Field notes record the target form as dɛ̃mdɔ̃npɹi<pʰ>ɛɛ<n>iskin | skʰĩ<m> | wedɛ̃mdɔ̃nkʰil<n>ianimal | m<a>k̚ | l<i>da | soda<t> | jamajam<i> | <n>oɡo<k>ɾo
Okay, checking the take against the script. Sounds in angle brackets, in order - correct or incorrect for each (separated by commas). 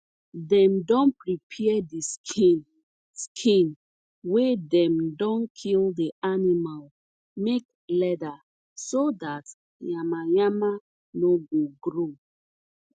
correct, incorrect, incorrect, incorrect, incorrect, incorrect, correct, incorrect, correct, incorrect